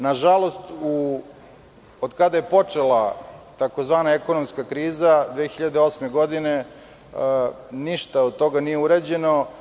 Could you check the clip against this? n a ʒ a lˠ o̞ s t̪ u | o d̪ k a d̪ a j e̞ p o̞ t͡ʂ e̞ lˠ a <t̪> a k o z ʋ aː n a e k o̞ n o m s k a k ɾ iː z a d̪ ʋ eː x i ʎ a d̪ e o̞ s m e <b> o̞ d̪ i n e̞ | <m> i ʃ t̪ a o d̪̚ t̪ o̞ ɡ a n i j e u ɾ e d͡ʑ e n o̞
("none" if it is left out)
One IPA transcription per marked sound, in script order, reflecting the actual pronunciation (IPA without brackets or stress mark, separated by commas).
t̪, ɡ, n